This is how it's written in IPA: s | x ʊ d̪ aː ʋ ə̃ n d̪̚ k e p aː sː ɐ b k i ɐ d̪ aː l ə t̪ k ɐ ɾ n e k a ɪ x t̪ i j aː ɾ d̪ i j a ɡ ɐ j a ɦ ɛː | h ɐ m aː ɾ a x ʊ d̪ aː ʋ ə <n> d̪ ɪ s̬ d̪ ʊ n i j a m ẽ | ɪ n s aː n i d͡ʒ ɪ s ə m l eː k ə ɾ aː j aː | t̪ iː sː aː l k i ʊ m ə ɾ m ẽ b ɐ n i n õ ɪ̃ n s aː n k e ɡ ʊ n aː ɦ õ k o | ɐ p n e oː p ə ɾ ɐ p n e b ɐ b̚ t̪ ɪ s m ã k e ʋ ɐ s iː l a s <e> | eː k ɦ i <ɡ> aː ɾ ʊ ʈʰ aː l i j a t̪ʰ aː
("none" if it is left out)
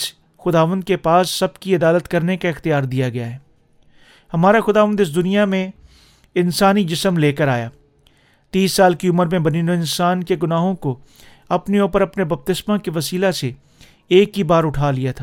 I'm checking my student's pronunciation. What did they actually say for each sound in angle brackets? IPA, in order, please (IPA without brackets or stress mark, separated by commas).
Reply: n, e, b